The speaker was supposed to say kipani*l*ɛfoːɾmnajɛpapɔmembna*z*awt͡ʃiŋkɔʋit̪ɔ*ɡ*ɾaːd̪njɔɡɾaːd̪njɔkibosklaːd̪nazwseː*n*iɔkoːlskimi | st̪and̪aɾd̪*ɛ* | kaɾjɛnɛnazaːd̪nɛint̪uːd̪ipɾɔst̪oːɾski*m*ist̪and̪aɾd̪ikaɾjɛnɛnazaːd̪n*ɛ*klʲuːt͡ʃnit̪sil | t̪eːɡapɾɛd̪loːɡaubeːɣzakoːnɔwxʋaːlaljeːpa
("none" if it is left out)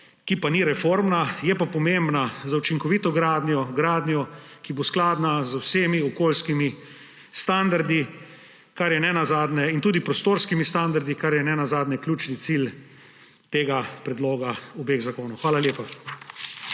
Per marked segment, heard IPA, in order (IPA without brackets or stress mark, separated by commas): ɾ, z, ɡ, m, i, m, ɛ